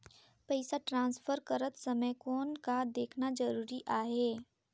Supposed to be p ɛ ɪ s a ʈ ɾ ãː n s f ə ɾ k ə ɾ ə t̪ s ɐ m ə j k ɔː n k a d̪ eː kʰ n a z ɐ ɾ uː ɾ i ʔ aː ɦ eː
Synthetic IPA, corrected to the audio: p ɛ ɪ s a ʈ ɾ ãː n s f ə ɾ k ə ɾ ə t̪ s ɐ m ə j k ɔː n k a d̪ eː kʰ n a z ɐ ɾ uː ɾ i ʔ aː ɦ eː